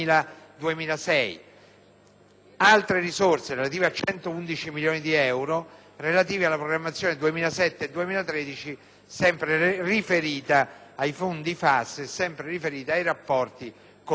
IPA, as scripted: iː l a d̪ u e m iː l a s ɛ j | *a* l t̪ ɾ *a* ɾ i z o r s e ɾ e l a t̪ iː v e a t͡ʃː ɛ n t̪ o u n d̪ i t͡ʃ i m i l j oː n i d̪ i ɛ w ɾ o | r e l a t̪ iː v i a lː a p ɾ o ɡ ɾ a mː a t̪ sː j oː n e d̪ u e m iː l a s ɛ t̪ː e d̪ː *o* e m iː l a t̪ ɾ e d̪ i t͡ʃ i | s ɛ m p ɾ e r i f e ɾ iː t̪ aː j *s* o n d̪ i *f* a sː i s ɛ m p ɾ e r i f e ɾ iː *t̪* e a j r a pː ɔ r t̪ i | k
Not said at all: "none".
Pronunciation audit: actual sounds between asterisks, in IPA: a, e, u, f, f, t̪

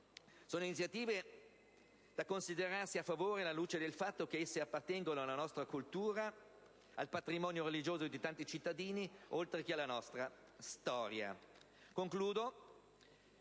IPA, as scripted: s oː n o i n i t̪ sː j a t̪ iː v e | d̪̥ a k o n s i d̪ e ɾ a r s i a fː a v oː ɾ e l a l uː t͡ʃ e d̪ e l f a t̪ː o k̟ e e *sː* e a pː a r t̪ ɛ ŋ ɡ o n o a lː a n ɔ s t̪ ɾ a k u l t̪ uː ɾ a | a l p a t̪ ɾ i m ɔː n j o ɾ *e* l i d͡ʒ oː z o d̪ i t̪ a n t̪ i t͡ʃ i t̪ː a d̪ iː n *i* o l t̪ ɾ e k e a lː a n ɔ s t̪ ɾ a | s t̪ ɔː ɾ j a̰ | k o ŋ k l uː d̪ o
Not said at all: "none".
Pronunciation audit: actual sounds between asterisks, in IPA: sː, e, i

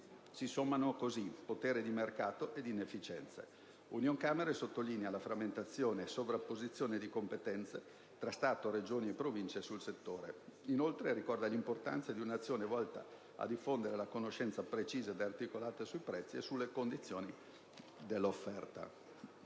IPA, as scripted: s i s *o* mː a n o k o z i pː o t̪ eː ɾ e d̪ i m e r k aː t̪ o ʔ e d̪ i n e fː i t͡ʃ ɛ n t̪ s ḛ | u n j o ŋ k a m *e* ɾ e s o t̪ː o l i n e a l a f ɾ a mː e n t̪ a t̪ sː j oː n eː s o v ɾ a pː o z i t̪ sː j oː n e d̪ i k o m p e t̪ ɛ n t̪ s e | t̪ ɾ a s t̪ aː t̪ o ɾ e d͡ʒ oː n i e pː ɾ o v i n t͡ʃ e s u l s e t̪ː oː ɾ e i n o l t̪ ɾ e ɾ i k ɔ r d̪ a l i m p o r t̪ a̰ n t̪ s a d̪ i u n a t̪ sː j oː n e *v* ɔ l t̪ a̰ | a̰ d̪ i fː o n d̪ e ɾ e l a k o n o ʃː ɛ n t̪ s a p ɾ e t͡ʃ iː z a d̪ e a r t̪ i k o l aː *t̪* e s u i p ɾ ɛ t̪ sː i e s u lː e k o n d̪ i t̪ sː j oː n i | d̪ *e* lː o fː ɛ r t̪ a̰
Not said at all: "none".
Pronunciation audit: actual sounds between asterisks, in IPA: o, e, v, t̪, e

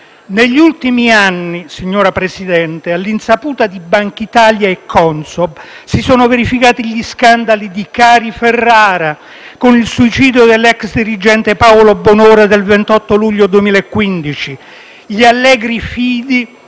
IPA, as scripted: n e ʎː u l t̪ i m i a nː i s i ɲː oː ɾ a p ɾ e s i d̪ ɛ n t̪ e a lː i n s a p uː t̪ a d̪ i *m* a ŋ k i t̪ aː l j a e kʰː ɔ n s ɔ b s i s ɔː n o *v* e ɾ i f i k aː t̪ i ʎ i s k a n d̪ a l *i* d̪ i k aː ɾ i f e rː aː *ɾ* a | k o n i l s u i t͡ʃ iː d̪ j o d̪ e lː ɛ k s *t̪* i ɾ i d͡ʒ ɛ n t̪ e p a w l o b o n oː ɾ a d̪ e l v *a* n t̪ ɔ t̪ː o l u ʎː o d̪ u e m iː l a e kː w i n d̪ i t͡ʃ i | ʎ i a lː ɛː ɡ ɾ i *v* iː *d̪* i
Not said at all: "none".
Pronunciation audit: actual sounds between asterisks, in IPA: b, v, i, ɾ, d̪, e, f, d̪

